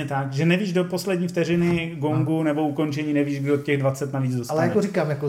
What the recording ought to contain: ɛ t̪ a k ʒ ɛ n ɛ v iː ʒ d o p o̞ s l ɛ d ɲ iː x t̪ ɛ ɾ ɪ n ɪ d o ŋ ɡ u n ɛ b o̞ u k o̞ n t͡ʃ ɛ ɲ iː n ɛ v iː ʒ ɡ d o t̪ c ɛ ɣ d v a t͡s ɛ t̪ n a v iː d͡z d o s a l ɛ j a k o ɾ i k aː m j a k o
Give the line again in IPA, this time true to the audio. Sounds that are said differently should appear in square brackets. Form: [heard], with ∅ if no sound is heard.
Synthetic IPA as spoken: ɛ t̪ a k ʒ ɛ n ɛ v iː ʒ d o p o̞ s l ɛ d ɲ iː [f] t̪ ɛ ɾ ɪ n ɪ [ɡ] o ŋ ɡ u n ɛ b o̞ u k o̞ n t͡ʃ ɛ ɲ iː n ɛ v iː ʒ ɡ d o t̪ c ɛ ɣ d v a t͡s ɛ t̪ n a v iː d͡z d o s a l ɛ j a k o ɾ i k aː m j a k o